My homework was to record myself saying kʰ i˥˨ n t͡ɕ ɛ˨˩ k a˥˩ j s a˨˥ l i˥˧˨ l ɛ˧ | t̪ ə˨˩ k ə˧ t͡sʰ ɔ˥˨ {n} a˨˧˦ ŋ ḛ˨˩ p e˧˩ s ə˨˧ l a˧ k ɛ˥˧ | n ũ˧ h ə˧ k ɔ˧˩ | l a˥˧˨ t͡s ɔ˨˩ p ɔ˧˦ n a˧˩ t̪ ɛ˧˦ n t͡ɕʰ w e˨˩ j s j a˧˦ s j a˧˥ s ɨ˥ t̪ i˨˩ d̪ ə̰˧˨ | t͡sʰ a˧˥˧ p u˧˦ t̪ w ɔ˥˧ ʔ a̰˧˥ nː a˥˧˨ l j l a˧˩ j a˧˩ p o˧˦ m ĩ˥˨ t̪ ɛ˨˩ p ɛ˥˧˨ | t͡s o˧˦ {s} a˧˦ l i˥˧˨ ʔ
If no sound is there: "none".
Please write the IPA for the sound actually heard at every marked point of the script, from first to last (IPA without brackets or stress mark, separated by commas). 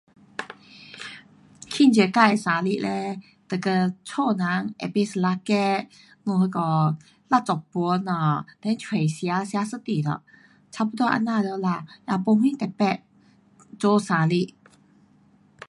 n, s